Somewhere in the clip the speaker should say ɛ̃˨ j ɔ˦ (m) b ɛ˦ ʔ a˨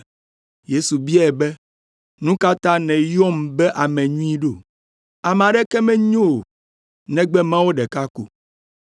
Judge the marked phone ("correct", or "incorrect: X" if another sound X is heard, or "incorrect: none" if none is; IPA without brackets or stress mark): correct